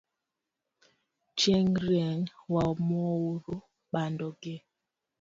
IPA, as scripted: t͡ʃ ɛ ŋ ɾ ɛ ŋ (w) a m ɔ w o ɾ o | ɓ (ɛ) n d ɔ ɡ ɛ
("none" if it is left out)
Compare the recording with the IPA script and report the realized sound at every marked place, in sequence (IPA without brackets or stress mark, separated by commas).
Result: w, a